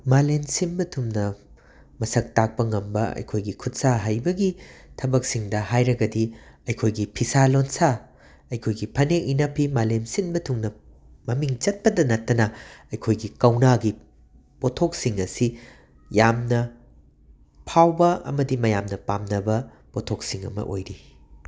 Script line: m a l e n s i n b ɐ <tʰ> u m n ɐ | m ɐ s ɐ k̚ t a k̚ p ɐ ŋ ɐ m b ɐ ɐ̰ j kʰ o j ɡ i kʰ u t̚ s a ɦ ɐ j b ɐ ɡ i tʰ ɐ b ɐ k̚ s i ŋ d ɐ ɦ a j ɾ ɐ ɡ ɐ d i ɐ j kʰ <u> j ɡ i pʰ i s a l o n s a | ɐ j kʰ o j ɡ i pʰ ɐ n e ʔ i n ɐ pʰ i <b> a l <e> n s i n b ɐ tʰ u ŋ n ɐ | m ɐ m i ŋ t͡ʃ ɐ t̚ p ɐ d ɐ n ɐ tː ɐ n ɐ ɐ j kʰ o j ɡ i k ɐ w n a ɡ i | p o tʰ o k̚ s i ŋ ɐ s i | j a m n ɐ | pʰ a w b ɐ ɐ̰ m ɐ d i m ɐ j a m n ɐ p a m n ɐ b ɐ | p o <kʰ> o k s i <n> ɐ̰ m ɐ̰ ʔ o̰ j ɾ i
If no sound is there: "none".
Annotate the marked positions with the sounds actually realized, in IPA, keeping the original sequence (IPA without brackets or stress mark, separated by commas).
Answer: tʰ, o, m, e, tʰ, ŋ